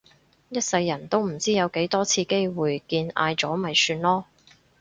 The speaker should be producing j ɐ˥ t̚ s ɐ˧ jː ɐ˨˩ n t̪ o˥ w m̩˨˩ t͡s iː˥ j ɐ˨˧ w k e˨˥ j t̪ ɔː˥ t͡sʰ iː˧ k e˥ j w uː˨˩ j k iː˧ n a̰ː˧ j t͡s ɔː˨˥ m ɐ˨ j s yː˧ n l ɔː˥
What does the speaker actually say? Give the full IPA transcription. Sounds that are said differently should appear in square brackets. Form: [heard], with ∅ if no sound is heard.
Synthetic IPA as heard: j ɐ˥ t̚ s ɐ˧ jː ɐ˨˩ n t̪ o˥ w m̩˨˩ t͡s iː˥ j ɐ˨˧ w k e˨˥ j t̪ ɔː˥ t͡sʰ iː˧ k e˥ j w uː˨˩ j k iː˧ n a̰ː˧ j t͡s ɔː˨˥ m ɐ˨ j s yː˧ n l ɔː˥